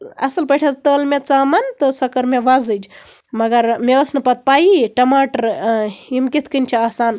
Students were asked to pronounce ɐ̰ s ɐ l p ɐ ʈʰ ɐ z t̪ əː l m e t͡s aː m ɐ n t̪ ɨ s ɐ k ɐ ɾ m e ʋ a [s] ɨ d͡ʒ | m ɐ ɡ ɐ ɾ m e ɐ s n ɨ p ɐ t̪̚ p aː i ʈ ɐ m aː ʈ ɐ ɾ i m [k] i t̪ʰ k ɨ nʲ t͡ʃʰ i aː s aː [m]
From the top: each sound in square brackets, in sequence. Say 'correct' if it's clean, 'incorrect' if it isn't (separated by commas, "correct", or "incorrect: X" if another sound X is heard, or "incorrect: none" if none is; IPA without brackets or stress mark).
incorrect: z, correct, incorrect: n